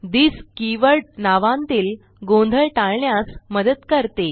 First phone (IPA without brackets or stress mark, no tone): d̪